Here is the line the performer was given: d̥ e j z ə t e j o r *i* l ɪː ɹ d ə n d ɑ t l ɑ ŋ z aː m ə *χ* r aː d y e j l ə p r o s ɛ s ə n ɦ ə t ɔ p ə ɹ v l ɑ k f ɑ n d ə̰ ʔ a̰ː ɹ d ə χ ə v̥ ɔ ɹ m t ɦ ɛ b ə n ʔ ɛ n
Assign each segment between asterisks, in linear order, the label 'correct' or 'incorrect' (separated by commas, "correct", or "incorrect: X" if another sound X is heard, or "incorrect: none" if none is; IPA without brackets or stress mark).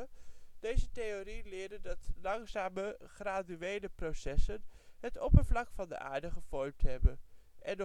correct, correct